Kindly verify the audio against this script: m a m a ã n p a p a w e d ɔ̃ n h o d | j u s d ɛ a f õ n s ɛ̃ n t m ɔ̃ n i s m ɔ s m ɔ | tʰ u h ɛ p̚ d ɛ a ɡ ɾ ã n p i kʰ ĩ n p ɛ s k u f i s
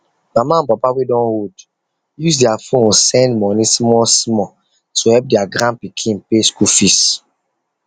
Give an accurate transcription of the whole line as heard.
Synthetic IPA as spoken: m a m a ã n p a p a w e d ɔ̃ n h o d | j u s d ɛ a f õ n s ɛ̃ n d m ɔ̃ n i s m ɔ s m ɔ | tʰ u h ɛ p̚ d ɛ a ɡ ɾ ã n p i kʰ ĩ n p e s k u f i s